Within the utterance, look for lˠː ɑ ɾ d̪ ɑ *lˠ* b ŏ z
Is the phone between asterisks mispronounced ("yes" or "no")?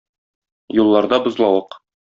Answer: yes